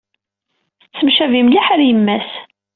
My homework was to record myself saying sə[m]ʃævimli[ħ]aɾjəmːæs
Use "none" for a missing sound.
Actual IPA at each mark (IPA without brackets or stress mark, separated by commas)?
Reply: m, ħ